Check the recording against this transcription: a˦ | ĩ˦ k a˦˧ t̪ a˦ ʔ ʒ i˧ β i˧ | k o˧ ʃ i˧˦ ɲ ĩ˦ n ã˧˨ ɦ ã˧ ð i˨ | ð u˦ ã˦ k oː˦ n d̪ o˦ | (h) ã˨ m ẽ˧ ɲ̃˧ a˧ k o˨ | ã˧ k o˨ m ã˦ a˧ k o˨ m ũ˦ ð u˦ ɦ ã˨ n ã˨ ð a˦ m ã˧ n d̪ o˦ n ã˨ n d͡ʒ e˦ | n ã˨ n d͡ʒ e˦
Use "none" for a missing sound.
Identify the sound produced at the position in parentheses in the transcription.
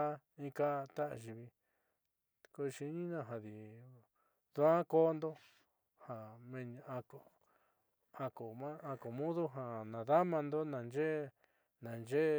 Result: h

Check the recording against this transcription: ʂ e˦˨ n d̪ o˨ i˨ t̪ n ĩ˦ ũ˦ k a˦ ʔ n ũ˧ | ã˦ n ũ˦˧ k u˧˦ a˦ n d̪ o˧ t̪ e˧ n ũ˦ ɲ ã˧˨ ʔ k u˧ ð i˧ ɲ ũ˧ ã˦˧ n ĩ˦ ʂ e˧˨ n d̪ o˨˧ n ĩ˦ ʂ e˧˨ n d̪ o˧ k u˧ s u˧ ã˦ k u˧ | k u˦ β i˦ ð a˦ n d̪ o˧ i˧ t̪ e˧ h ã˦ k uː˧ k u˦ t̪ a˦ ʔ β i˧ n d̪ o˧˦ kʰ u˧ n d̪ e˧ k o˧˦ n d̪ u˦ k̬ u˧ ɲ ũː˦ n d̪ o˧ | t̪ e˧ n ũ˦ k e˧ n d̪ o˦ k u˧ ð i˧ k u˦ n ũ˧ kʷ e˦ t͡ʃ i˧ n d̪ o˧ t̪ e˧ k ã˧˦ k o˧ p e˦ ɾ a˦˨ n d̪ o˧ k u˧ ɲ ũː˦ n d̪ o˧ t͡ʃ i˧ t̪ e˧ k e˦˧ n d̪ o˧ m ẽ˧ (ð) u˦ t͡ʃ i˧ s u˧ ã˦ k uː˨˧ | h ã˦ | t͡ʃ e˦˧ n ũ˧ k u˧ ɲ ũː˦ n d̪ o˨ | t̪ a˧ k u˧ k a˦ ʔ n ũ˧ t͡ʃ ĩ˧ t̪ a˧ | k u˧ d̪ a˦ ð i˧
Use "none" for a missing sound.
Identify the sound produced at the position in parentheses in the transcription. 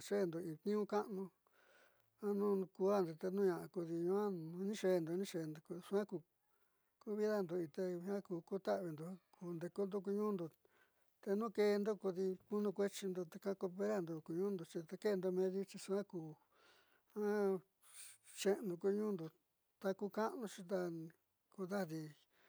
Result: ð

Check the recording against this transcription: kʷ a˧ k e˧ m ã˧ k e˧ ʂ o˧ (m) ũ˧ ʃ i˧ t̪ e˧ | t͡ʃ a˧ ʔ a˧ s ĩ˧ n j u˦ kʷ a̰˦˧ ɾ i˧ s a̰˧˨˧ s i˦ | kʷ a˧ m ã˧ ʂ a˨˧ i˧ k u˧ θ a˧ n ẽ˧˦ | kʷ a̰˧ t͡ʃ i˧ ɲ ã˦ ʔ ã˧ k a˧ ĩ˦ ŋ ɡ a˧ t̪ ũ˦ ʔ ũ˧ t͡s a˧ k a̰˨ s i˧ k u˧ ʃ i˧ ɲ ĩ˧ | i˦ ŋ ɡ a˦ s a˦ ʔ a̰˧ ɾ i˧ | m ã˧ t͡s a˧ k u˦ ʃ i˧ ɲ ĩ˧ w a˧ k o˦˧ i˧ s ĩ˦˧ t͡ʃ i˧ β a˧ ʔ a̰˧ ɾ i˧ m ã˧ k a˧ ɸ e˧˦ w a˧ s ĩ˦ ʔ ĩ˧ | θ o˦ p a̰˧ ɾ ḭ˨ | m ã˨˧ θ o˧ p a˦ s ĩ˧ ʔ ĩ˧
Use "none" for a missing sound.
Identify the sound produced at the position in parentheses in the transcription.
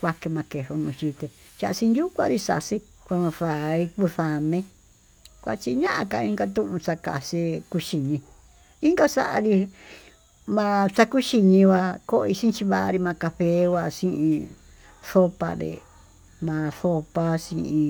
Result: n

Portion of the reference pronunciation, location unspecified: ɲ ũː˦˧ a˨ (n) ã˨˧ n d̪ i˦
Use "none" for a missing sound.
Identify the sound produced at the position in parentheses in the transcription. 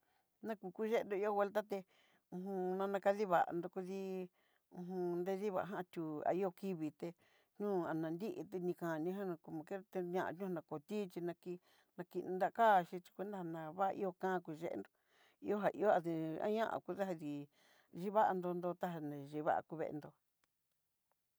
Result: n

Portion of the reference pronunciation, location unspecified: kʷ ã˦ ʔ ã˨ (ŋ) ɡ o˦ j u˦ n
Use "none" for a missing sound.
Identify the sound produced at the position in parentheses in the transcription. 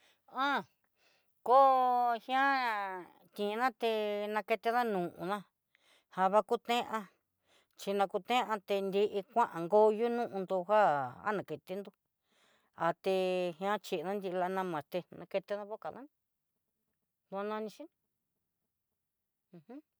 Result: ŋ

